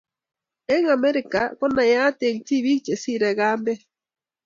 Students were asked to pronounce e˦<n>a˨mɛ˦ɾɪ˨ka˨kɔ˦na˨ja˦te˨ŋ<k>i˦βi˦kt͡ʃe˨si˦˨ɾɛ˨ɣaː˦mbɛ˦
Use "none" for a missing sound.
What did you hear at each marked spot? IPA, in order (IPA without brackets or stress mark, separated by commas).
ŋ, t